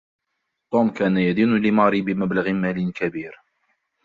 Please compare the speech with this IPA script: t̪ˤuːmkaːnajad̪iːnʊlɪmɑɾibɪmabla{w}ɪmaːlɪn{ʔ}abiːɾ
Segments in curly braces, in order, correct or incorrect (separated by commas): incorrect, incorrect